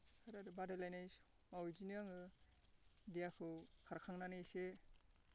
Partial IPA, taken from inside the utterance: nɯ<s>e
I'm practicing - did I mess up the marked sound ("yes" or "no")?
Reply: no